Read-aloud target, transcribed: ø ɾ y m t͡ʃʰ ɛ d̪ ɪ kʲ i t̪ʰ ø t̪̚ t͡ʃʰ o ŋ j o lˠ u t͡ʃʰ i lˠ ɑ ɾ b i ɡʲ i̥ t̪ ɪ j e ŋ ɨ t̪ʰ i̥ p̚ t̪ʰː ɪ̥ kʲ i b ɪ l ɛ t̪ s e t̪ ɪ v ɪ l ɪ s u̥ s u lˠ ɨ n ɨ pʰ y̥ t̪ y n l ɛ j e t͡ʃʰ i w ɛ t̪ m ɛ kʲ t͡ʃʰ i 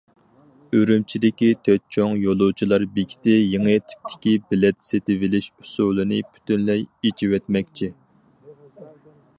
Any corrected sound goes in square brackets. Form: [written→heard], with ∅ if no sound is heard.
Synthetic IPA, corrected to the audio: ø ɾ y m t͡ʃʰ [ɛ→i] d̪ ɪ kʲ i t̪ʰ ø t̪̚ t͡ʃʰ o ŋ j o lˠ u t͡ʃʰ i lˠ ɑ ɾ b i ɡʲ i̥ t̪ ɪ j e ŋ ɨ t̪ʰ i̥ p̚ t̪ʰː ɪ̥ kʲ i b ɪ l ɛ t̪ s e t̪ ɪ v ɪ l ɪ [s→ʃ] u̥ s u lˠ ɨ n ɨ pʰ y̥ t̪ y n l ɛ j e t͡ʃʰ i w ɛ t̪ m ɛ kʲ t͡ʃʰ i